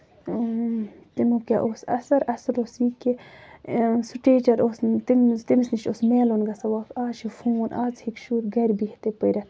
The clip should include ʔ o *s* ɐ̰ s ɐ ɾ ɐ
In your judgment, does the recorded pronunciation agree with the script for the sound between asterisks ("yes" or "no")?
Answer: yes